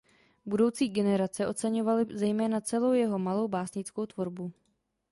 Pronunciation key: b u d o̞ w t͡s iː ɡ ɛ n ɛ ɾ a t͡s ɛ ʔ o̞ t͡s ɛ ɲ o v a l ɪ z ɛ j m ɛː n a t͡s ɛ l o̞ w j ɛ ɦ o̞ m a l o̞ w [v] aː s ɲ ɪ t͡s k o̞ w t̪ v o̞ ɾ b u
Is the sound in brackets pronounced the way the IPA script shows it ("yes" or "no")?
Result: no